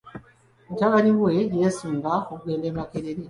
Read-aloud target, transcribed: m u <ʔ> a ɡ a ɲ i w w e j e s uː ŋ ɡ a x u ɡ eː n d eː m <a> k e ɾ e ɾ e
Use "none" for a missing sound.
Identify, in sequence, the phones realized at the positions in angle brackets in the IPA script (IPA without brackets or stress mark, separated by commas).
t, a